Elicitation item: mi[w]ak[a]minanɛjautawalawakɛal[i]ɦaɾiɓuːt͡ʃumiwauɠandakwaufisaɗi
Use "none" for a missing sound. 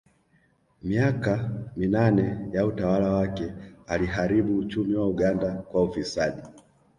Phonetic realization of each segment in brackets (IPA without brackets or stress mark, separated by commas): none, a, i